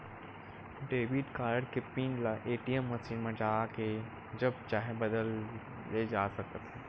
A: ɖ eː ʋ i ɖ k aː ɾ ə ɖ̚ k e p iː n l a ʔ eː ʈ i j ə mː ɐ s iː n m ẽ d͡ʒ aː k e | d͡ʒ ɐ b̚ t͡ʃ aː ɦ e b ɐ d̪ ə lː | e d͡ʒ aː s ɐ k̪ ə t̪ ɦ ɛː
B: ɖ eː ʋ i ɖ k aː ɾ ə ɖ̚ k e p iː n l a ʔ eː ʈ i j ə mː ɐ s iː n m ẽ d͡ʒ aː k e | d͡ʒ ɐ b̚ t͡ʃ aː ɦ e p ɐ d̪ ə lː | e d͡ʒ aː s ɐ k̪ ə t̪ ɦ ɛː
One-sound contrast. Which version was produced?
A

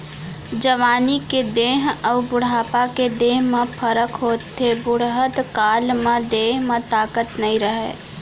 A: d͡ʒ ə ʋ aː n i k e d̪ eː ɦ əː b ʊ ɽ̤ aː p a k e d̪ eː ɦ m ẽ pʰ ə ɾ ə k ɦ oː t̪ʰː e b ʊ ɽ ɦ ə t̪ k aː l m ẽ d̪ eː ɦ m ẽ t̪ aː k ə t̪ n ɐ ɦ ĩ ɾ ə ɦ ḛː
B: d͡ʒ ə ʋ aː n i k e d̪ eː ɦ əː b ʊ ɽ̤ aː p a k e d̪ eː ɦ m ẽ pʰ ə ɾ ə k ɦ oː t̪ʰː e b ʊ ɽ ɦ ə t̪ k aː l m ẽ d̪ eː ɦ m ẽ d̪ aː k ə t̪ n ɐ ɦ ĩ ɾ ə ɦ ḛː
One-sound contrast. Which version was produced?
A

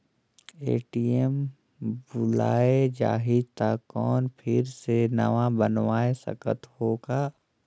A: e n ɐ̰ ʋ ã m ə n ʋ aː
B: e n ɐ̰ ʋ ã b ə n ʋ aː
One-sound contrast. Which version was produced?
B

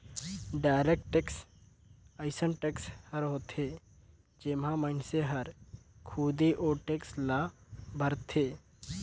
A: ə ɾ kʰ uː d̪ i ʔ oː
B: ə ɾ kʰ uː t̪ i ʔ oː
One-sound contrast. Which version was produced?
A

